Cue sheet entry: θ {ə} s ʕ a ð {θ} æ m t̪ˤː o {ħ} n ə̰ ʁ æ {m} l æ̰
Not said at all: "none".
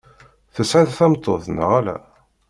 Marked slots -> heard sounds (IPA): ə, θ, θ, none

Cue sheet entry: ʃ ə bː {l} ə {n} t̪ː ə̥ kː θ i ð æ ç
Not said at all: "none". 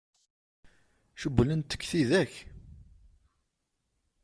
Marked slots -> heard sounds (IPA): l, n

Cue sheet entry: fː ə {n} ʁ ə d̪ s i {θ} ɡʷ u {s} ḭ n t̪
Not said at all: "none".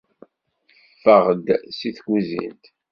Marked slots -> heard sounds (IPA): none, θ, z

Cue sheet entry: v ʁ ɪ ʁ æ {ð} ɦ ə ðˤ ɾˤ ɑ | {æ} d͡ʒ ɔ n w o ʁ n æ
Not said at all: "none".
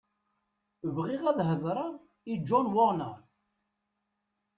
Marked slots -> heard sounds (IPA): ð, i

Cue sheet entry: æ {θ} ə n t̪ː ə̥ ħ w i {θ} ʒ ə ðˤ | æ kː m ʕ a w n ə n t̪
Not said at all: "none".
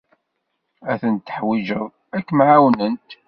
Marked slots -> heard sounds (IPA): θ, none

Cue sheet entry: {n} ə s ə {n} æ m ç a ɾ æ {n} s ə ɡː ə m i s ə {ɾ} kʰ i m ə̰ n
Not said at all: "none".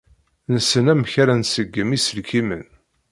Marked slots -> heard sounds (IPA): n, n, n, l

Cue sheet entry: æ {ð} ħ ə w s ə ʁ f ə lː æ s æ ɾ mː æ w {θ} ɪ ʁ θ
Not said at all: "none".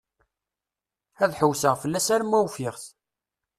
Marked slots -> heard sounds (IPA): ð, f

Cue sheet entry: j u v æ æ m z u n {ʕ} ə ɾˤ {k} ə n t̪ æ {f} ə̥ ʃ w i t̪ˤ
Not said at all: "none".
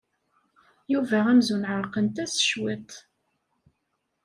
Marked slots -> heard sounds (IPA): ʕ, q, s

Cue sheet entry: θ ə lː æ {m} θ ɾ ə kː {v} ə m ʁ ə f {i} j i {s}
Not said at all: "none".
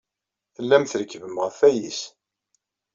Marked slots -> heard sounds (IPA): m, v, æ, s

